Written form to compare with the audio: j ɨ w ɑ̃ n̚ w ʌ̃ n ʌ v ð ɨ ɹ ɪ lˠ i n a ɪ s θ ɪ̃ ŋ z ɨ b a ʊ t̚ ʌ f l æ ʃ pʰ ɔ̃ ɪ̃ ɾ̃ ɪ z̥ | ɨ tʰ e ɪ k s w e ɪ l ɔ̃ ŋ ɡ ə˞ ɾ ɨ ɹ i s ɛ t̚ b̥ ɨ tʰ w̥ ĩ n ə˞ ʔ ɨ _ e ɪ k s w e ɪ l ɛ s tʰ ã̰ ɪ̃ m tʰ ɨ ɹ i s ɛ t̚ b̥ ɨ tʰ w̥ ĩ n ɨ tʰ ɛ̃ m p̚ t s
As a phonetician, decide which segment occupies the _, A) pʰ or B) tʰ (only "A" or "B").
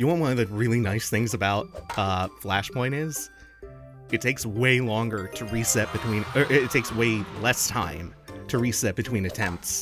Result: B